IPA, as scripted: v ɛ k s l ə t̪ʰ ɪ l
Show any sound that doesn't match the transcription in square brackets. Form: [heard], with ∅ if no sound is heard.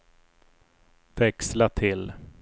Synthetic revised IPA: v ɛ k s l [a] t̪ʰ ɪ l